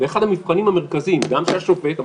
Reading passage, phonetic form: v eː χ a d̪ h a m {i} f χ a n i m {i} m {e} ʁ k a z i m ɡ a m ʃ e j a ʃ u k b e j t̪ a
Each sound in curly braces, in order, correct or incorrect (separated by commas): correct, incorrect, correct